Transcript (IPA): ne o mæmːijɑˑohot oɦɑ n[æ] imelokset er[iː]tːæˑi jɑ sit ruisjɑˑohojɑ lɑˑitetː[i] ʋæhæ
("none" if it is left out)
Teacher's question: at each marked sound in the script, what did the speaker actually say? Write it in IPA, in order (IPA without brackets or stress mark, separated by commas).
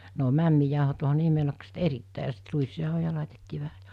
e, i, iː